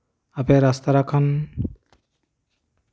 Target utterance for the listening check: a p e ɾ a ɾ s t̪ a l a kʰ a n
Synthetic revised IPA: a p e ɾ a s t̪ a ɾ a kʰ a n